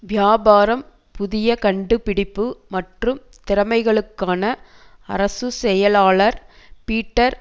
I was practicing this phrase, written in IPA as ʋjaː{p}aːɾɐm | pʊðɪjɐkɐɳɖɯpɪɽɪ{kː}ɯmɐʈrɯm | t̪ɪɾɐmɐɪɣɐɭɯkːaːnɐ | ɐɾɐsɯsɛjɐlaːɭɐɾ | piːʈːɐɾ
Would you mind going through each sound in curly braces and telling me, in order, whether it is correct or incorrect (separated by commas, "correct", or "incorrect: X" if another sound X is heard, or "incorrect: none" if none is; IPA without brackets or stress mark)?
incorrect: b, incorrect: pː